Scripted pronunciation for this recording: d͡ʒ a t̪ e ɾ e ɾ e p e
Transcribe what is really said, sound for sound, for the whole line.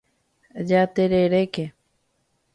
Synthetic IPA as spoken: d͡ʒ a t̪ e ɾ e ɾ e k e